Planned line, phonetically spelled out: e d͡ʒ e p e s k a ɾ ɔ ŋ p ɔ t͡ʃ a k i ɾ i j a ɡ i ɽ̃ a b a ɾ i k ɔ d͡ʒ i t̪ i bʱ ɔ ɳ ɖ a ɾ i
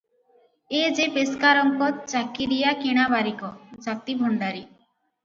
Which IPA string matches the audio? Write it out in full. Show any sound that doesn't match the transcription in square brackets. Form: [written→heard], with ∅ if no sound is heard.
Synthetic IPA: e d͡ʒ e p e s k a ɾ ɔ ŋ [p→k] ɔ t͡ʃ a k i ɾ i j a [ɡ→k] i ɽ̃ a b a ɾ i k ɔ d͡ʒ [i→a] t̪ i bʱ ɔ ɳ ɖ a ɾ i